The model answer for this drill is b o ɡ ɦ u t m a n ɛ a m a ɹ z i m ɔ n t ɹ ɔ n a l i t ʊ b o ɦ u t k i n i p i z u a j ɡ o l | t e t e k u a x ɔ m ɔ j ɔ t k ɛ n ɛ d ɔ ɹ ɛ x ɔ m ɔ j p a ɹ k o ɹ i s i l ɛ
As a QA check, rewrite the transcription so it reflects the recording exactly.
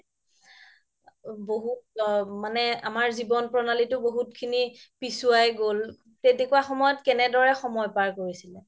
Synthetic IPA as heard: b o ɦ u t m a n ɛ a m a ɹ z i b ɔ n p ɹ ɔ n a l i t ʊ b o ɦ u t kʰ i n i p i s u a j ɡ o l | t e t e k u a x ɔ m ɔ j ɔ t k ɛ n ɛ d ɔ ɹ ɛ x ɔ m ɔ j p a ɹ k o ɹ i s i l ɛ